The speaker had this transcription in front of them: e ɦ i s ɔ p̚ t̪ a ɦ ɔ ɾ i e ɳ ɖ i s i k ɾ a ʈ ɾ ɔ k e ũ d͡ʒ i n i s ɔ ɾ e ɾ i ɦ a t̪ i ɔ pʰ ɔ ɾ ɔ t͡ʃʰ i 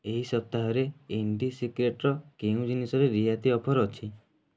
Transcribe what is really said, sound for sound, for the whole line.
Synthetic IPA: e ɦ i s ɔ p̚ t̪ a ɦ ɔ ɾ e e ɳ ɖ i s i k ɾ e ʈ ɾ ɔ k e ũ d͡ʒ i n i s ɔ ɾ e ɾ i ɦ a t̪ i ɔ pʰ ɔ ɾ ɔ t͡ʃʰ i